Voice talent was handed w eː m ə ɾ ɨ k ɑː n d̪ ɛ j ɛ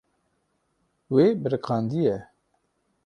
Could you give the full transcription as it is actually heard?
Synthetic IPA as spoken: w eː b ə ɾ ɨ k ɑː n d̪ i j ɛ